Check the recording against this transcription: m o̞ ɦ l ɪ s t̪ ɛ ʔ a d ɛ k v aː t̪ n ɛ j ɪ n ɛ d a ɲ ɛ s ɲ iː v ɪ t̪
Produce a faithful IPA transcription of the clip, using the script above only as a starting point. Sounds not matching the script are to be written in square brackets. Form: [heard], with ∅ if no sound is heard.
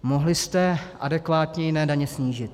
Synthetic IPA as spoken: m o̞ ɦ l ɪ s t̪ ɛ ʔ a d ɛ k v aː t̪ [ɲ] ɛ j ɪ n [ɛː] d a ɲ ɛ s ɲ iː [ʒ] ɪ t̪